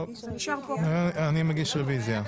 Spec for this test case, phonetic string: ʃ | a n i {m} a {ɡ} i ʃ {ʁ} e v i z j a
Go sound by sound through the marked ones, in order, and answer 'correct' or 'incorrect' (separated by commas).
correct, correct, correct